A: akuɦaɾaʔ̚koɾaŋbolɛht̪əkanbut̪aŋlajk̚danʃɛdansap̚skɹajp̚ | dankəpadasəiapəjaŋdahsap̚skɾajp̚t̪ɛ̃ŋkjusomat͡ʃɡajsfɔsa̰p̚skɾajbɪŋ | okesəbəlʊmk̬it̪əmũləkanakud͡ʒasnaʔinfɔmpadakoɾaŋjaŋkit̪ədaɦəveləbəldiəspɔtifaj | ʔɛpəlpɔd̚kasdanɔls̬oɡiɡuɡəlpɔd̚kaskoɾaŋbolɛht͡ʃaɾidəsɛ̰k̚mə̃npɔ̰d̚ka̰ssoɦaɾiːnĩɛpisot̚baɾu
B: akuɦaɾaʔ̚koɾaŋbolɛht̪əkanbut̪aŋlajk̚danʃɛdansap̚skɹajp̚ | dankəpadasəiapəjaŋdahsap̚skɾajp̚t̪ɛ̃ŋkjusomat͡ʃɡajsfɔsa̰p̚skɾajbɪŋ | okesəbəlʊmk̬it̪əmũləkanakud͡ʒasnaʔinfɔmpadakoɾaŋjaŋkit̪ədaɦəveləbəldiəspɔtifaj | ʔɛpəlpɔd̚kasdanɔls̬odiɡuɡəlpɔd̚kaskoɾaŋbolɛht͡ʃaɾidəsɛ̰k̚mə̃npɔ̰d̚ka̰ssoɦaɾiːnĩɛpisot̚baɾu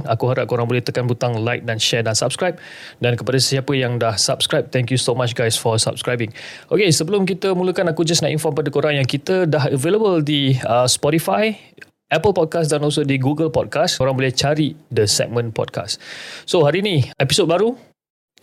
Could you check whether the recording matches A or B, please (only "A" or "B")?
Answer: B